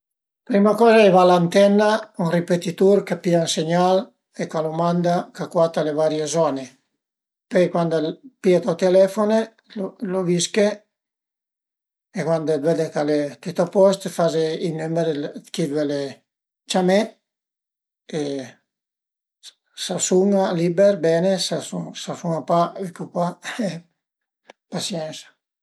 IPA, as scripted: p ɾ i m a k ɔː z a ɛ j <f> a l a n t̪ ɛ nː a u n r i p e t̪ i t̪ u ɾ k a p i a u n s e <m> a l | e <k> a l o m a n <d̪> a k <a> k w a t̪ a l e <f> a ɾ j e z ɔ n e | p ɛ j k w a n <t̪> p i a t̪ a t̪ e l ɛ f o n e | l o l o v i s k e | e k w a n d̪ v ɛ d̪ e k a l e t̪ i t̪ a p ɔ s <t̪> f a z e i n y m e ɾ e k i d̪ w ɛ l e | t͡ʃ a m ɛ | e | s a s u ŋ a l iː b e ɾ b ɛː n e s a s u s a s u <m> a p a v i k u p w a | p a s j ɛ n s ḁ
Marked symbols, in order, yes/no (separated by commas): no, no, yes, yes, yes, no, no, yes, no